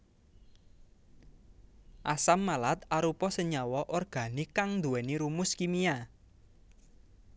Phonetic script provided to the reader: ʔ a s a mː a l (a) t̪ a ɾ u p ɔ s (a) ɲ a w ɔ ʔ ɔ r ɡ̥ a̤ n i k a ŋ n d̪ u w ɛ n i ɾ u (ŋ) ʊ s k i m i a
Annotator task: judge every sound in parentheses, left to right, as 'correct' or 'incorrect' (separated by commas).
correct, incorrect, incorrect